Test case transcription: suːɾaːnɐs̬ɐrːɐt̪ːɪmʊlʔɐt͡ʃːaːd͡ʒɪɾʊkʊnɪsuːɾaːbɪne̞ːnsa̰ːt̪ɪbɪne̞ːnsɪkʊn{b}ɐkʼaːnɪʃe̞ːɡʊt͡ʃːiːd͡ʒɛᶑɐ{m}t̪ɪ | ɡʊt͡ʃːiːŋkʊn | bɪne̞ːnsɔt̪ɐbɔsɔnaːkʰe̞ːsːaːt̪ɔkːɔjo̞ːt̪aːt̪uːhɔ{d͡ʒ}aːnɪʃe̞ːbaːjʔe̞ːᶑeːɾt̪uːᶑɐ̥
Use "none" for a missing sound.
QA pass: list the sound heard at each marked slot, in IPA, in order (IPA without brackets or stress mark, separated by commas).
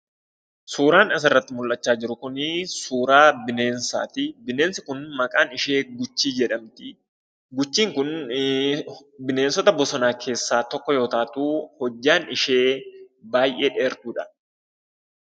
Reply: m, m, d͡ʒː